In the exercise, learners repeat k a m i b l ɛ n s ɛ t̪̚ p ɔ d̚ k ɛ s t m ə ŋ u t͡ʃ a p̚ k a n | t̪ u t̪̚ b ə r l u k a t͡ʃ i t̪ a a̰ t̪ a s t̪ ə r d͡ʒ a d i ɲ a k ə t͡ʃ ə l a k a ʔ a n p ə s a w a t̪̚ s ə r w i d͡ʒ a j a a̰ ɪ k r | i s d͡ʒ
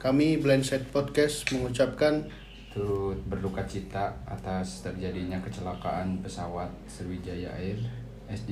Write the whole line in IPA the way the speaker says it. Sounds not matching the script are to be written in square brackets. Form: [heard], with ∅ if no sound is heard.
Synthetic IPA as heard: k a m i b l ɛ n s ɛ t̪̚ p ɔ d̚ k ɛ s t m ə ŋ u t͡ʃ a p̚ k a n | t̪ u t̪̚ b ə r l u k a t͡ʃ i t̪ a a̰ t̪ a s t̪ ə r d͡ʒ a d i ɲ a k ə t͡ʃ ə l a k a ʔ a n p ə s a w a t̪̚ s ə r w i d͡ʒ a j a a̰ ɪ [∅] r | [ɛ] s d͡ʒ